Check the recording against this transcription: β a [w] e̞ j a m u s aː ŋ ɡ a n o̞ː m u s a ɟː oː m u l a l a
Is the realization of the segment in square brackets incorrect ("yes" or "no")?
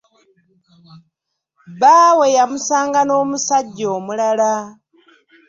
no